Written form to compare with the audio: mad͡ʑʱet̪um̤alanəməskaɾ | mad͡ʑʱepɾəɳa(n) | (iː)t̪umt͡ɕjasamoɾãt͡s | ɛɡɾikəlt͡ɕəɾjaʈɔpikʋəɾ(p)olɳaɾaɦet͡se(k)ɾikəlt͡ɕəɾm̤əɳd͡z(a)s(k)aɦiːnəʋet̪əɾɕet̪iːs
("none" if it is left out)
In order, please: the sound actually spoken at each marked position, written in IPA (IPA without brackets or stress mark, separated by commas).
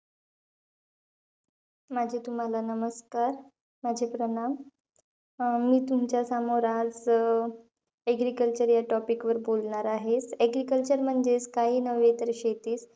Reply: m, iː, b, ɡ, e, k